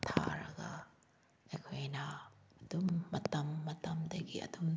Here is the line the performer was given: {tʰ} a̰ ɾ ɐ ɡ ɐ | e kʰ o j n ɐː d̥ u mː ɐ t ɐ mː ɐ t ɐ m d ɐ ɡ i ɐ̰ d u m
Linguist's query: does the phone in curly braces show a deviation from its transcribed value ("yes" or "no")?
no